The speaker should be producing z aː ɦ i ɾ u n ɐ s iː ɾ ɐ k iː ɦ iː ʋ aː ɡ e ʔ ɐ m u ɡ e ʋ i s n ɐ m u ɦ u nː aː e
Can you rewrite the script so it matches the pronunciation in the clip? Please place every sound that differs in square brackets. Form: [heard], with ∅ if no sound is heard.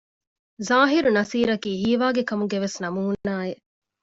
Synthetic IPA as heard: z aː ɦ i ɾ u n ɐ s iː ɾ ɐ k iː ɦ iː ʋ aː ɡ e [k] ɐ m u ɡ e ʋ [e] s n ɐ m u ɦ u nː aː e